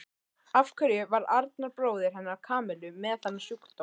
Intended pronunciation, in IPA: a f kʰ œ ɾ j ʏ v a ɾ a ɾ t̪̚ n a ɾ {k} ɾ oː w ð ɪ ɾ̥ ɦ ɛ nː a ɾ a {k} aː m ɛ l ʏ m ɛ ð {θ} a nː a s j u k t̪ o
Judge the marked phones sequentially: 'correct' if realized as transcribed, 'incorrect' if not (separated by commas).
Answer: incorrect, incorrect, correct